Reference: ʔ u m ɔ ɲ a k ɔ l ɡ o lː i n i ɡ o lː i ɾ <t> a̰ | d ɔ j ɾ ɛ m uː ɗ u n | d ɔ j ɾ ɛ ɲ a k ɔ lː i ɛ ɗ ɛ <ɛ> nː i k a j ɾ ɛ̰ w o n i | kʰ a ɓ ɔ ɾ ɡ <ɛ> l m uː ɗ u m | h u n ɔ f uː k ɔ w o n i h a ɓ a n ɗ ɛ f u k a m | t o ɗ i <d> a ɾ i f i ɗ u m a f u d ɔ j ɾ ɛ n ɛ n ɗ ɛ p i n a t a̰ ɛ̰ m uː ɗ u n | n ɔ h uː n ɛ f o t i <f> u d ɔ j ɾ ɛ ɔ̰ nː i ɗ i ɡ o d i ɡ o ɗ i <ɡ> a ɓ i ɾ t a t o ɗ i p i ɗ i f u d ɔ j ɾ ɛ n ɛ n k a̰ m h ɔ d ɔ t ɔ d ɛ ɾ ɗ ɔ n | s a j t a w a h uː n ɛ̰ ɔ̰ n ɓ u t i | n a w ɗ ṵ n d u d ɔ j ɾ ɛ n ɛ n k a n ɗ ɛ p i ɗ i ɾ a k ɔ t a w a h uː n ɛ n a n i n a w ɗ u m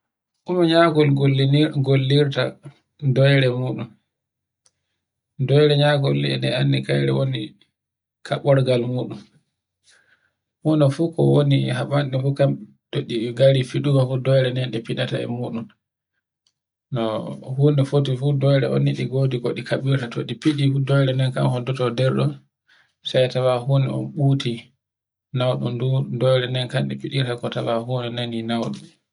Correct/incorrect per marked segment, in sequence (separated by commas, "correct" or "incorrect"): correct, incorrect, incorrect, incorrect, correct, incorrect